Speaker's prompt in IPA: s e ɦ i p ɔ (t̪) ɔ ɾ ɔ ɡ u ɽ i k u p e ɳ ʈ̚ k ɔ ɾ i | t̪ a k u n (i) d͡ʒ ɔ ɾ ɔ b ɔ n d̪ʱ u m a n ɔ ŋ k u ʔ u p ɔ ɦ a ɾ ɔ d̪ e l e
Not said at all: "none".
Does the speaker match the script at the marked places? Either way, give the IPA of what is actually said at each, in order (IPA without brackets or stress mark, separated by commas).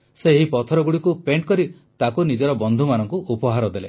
t̪ʰ, i